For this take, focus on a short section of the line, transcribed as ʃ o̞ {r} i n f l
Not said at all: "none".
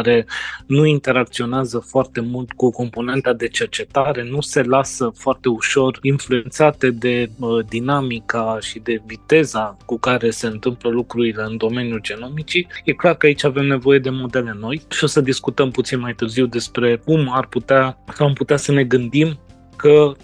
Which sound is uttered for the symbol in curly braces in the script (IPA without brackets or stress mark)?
r